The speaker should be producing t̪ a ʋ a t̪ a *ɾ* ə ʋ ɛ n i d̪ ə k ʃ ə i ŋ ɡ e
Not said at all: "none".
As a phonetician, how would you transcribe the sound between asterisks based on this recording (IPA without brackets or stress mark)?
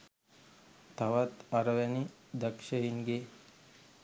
ɾ